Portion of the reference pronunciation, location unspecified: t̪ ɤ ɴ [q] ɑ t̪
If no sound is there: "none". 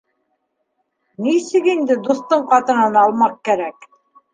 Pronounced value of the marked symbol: q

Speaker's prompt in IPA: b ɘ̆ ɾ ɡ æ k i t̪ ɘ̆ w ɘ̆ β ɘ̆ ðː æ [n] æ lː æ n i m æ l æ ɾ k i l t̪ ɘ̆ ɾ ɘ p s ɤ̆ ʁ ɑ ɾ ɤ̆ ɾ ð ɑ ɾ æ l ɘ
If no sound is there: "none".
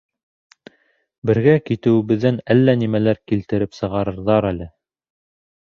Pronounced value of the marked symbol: n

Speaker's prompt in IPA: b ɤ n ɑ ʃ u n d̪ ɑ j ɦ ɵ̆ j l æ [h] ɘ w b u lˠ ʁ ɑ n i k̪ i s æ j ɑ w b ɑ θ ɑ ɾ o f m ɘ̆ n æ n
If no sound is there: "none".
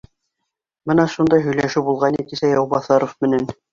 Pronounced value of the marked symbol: ʃ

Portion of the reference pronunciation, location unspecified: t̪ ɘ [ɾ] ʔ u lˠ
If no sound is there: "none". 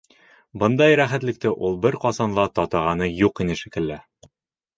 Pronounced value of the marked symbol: none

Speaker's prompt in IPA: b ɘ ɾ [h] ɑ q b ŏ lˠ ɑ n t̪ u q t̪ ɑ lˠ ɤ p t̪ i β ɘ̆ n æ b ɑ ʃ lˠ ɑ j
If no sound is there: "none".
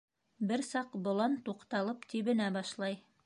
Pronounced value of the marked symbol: s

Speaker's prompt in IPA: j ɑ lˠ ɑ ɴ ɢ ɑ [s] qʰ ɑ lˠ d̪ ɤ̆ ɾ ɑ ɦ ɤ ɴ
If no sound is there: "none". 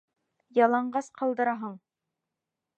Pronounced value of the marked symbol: s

